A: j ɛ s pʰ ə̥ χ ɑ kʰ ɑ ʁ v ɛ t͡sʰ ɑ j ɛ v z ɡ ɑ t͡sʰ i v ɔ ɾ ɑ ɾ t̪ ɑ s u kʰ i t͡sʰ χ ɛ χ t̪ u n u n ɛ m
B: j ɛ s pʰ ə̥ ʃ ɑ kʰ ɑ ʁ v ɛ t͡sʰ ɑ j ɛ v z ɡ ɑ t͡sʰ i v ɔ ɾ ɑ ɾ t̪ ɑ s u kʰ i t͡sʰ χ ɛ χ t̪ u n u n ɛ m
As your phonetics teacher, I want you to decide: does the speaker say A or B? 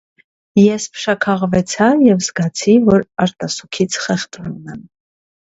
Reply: B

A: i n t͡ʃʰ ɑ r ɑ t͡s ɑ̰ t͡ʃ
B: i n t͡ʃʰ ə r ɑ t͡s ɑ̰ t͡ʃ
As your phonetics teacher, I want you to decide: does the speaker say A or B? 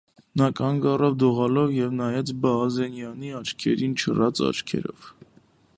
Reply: B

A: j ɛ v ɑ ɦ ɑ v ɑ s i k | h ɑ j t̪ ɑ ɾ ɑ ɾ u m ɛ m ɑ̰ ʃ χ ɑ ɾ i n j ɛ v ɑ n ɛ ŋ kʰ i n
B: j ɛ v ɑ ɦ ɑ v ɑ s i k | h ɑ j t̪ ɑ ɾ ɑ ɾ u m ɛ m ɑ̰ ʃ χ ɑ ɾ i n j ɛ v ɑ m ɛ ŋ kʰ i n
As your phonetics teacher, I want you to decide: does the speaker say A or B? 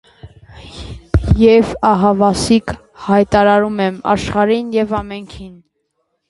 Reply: B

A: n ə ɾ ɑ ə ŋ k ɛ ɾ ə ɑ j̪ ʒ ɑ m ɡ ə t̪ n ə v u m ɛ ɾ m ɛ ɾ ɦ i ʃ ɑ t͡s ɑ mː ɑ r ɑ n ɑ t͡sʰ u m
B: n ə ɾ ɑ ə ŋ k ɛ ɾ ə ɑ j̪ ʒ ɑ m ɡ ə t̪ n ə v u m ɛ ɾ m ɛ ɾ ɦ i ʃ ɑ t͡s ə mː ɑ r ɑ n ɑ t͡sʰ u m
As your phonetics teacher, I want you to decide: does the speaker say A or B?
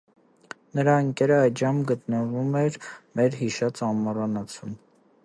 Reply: A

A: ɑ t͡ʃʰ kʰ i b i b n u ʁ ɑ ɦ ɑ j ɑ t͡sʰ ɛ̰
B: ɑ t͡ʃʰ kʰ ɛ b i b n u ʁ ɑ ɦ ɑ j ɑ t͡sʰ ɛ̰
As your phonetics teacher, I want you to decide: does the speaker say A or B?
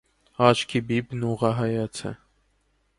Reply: A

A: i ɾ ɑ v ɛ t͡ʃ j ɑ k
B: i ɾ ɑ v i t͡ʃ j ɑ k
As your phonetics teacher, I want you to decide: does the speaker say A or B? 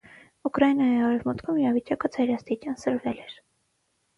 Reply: B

